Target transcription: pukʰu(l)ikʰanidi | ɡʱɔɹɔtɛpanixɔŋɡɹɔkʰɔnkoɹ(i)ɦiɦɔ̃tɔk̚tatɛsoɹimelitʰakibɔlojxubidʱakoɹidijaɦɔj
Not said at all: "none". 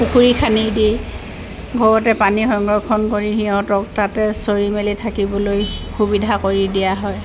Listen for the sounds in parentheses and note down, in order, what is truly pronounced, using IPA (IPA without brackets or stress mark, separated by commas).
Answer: ɹ, i